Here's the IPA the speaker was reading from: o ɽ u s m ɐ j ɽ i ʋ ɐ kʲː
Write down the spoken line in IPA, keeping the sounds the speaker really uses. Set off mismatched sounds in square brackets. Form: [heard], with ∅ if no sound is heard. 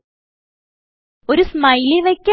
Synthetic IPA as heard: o [ɾ] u s m ɐ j [l] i ʋ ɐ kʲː